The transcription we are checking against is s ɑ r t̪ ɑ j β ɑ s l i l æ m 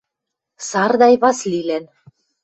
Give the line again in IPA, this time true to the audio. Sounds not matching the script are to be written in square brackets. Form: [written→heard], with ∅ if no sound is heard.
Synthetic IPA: s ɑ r [t̪→d̪] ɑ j β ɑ s l i l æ [m→n]